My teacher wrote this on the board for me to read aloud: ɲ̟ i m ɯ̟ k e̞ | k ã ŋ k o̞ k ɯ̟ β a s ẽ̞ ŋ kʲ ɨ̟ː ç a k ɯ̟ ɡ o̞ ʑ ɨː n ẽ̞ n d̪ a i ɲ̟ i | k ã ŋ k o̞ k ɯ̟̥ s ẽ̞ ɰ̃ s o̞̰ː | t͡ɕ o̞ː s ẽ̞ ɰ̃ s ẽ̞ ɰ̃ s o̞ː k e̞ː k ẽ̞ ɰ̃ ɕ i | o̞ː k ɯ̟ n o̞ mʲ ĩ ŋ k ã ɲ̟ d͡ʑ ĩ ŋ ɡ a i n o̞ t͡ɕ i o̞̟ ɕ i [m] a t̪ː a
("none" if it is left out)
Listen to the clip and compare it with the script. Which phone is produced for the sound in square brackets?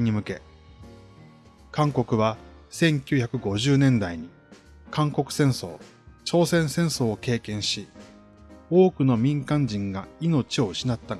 n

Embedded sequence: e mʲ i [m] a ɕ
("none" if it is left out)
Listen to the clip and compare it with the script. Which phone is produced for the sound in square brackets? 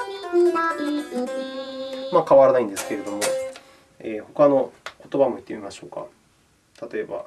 m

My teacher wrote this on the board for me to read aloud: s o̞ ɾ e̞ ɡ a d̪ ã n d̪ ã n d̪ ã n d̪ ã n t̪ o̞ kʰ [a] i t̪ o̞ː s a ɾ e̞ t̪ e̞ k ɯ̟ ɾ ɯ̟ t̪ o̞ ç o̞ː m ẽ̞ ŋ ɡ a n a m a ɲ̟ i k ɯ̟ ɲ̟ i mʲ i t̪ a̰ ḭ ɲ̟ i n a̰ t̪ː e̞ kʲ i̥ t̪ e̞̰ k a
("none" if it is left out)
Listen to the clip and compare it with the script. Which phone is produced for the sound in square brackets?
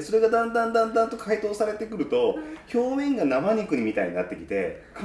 a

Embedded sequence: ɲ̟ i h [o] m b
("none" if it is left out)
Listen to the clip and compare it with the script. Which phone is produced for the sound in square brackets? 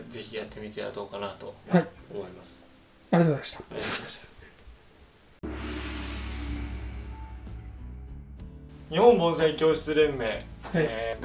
õ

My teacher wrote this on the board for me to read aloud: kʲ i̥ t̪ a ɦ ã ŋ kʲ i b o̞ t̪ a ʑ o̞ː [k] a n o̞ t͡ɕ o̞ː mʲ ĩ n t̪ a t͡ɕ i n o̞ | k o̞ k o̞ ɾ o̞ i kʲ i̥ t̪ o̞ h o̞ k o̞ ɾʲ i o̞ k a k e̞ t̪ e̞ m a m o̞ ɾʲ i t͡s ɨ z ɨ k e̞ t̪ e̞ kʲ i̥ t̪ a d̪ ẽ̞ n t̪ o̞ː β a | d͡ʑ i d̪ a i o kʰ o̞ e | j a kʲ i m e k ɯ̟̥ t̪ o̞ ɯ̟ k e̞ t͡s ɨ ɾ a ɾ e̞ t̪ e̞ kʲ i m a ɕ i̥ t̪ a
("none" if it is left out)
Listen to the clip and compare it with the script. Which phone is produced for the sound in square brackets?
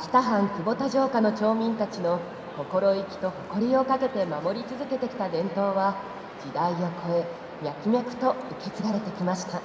k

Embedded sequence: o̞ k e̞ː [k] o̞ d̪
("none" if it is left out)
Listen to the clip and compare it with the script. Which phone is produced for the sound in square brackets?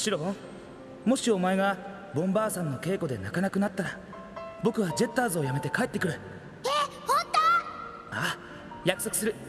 k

